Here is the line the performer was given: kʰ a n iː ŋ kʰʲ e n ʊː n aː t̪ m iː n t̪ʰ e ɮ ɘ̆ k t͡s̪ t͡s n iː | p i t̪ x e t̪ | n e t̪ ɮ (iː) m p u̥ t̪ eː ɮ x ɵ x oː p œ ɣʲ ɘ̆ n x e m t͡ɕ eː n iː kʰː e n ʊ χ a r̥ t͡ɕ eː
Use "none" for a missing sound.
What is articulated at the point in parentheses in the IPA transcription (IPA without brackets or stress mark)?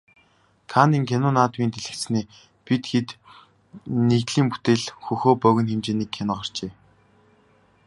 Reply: iː